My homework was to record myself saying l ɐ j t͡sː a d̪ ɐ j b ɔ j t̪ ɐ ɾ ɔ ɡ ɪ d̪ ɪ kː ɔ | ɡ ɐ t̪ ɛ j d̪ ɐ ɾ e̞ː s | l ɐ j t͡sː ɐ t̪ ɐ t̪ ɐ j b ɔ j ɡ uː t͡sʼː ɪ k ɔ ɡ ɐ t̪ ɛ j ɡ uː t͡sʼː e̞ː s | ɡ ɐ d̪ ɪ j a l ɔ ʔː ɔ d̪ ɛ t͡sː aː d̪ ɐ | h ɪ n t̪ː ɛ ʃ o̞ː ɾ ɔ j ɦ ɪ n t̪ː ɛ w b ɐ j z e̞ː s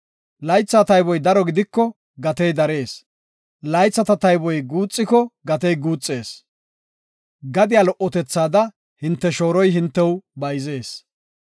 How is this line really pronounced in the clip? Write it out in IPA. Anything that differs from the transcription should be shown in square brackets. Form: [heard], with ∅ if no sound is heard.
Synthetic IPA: l ɐ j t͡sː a [t̪] ɐ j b ɔ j [d̪] ɐ ɾ ɔ ɡ ɪ d̪ ɪ kː ɔ | ɡ ɐ t̪ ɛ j d̪ ɐ ɾ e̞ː s | l ɐ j t͡sː ɐ t̪ ɐ t̪ ɐ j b ɔ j ɡ uː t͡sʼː ɪ k ɔ ɡ ɐ t̪ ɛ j ɡ uː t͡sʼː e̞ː s | ɡ ɐ d̪ ɪ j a l ɔ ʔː ɔ [t̪] ɛ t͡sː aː d̪ ɐ | h ɪ n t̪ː ɛ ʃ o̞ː ɾ ɔ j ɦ ɪ n t̪ː ɛ w b ɐ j z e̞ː s